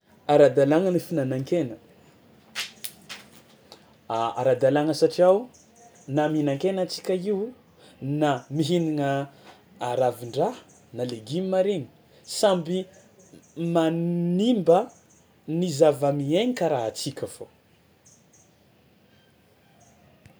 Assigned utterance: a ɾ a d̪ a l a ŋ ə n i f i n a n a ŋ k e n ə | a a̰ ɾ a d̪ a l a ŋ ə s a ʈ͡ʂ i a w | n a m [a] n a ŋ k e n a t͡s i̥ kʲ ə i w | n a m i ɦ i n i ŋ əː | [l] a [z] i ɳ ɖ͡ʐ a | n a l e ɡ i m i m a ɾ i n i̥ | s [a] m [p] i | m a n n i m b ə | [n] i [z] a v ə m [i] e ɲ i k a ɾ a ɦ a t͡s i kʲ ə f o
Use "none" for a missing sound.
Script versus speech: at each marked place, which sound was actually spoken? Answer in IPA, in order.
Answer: i, ɾ, v, a, b, n, z, i

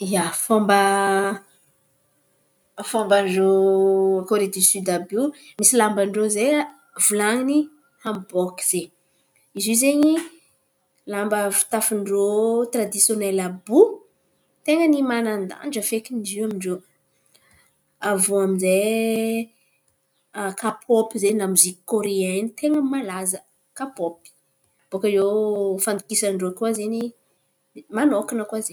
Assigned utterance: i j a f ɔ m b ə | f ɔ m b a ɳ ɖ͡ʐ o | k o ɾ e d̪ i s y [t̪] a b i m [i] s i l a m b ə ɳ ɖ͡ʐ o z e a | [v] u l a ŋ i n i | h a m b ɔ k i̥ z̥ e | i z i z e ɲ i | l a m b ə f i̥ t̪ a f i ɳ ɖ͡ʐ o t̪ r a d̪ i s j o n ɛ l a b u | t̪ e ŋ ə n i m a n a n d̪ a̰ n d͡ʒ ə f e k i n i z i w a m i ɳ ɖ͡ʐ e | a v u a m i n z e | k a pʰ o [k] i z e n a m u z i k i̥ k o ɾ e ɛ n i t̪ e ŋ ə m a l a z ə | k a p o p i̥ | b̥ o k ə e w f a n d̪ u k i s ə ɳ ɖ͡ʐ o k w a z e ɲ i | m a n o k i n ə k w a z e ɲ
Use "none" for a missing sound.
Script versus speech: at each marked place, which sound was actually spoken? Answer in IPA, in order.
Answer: d̪, i, v, p

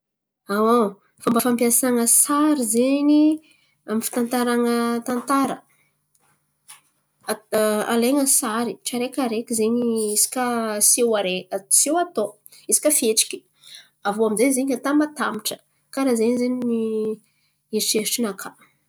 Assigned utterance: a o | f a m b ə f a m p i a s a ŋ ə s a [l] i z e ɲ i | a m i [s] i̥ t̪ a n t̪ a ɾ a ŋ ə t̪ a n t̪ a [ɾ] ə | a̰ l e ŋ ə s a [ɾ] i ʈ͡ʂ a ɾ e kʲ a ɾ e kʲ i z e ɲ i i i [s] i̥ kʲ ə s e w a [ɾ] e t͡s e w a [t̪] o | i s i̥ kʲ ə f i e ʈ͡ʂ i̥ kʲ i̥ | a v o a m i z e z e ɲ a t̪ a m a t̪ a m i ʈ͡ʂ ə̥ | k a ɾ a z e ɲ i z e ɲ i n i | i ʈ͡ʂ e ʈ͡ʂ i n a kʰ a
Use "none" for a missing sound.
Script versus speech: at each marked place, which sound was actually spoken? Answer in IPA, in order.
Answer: ɾ, f, ɾ, ɾ, s, ɾ, t̪

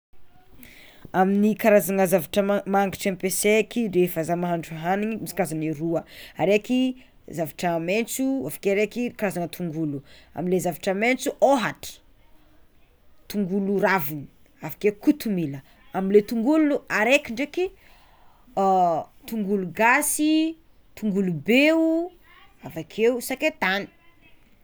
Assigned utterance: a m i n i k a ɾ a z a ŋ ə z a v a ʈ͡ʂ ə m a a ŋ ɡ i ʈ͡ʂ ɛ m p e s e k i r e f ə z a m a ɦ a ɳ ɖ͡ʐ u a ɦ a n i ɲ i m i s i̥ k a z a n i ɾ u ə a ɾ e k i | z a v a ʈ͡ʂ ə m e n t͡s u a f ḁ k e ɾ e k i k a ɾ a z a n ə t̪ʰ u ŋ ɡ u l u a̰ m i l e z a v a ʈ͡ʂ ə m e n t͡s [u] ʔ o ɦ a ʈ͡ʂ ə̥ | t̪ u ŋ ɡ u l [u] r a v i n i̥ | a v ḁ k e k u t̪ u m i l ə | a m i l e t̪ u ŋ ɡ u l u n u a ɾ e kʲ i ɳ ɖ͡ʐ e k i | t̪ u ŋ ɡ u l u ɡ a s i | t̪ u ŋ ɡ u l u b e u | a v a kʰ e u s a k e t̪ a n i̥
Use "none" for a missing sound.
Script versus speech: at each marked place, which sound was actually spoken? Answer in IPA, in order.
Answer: u, u

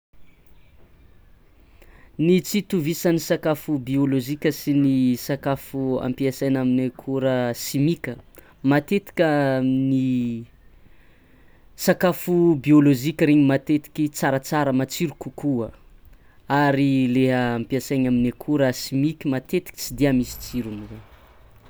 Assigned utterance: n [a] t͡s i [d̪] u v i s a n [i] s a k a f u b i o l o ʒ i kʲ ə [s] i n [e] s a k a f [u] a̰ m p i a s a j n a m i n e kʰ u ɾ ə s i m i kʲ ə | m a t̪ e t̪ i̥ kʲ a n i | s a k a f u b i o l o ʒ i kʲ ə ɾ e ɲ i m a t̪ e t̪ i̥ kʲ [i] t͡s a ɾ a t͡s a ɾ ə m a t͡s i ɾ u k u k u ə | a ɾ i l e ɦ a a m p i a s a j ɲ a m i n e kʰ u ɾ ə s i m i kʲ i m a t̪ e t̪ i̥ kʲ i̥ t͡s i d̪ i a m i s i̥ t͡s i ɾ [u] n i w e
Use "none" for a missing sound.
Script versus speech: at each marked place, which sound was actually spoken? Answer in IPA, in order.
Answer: i, t̪, i, s, i, u, i, u

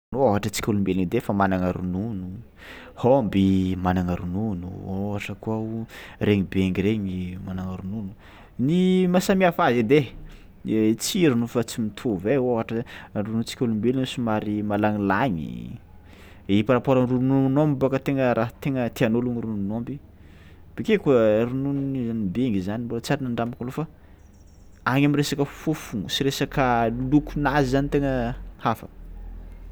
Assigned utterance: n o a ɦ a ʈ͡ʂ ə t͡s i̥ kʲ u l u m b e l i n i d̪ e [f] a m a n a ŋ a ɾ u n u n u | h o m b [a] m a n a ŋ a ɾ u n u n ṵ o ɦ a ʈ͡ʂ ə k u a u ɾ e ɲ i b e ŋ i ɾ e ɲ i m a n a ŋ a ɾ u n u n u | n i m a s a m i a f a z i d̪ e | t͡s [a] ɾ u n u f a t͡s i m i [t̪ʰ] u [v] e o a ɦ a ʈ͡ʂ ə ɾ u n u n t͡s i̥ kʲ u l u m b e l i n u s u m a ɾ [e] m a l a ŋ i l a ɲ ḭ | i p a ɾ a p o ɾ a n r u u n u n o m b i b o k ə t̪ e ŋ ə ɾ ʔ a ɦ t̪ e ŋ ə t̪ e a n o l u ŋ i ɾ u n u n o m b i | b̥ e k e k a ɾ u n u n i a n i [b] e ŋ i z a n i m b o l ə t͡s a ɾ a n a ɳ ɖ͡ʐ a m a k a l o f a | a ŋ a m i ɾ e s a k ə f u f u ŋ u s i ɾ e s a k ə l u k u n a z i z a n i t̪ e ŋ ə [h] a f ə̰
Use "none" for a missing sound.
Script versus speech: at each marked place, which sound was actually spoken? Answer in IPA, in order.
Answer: f, i, i, t̪ʰ, v, i, b, h

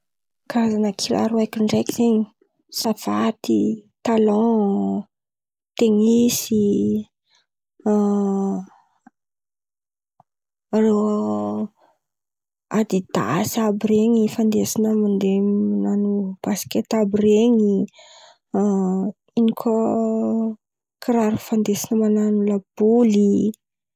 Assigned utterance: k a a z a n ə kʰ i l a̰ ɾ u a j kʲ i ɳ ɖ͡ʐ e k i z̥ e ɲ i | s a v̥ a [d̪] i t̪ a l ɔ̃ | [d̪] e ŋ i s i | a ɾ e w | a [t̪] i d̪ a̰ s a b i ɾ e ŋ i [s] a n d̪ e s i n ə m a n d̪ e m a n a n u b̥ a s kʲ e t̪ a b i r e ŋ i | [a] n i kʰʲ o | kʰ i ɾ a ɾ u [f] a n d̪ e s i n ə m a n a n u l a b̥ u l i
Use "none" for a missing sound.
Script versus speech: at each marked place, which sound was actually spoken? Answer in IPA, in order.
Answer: t̪, t̪, d̪, f, i, f

